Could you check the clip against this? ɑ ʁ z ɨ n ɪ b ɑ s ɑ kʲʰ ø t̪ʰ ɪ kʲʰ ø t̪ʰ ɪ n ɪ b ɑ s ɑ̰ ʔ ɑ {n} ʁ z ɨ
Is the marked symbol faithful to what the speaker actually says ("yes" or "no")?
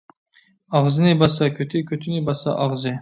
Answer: no